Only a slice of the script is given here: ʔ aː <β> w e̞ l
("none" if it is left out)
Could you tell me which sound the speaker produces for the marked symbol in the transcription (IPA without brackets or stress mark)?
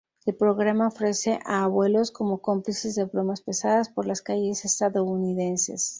β